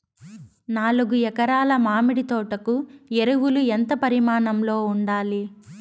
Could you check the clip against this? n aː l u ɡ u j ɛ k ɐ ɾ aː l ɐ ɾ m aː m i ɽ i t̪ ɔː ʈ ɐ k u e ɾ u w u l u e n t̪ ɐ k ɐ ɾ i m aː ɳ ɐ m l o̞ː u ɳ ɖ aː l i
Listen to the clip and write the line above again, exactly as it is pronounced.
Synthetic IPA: n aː l u ɡ u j ɛ k ɐ ɾ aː l ɐ m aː m i ɽ i t̪ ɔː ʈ ɐ k u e ɾ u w u l u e n t̪ ɐ p ɐ ɾ i m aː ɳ ɐ m l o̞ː u ɳ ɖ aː l i